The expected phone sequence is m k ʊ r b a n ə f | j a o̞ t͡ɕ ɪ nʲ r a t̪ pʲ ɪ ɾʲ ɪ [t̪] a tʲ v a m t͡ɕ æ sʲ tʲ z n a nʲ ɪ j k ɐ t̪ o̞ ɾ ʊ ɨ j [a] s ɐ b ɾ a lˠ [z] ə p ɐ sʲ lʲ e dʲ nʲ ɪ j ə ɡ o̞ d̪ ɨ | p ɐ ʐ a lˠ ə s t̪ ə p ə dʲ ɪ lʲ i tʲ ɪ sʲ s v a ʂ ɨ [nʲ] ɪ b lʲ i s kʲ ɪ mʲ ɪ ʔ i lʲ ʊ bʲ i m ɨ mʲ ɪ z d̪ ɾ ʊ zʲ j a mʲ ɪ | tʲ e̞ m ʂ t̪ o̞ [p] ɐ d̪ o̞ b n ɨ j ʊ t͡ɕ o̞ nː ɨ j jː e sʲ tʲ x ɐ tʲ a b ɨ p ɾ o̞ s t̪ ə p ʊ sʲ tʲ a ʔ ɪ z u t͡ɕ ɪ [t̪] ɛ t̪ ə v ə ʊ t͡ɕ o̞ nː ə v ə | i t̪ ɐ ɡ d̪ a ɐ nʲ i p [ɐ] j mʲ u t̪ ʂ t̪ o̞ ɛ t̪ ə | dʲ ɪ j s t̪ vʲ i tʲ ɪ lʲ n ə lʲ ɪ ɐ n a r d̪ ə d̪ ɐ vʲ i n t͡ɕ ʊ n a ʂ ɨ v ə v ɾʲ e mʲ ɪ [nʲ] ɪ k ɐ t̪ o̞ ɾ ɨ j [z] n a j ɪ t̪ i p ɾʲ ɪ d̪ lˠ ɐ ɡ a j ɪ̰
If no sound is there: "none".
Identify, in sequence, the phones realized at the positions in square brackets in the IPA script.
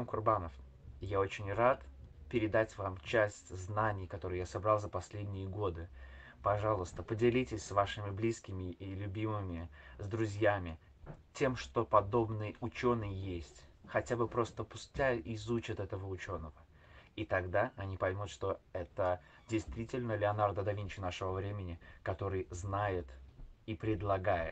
d̪, a, z, mʲ, p, t̪, ɐ, nʲ, z

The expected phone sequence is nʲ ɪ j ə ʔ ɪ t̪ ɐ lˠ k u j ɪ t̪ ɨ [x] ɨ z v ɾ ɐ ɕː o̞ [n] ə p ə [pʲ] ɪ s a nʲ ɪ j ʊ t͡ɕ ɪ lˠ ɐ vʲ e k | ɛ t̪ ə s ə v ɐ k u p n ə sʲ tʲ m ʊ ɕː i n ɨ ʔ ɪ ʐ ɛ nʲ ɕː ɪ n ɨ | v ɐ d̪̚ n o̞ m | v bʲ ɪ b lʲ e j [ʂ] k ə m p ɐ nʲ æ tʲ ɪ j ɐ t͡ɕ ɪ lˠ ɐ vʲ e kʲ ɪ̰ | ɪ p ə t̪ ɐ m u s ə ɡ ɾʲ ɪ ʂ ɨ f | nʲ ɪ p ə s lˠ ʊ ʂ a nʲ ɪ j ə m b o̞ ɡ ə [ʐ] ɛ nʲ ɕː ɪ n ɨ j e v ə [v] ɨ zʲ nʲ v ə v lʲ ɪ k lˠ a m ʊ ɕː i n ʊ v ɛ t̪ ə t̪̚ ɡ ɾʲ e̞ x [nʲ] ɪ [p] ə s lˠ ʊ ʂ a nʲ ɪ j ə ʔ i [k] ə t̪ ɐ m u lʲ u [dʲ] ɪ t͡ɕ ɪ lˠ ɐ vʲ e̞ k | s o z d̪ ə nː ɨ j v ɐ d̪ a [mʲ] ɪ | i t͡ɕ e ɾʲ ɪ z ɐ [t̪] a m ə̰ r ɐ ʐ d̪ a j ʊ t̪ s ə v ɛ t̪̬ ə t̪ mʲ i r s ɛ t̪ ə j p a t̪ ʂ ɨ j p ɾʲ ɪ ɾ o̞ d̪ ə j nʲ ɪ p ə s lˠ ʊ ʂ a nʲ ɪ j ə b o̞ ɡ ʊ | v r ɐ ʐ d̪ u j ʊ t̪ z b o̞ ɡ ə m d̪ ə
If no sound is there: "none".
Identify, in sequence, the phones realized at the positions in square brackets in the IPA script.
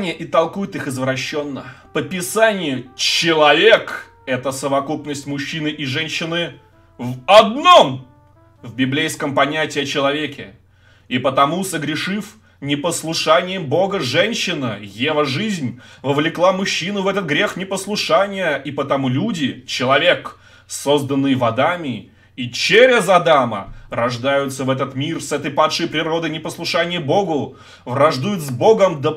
x, nː, pʲ, s, ʐ, ʐ, nʲ, p, p, dʲ, mʲ, d̪

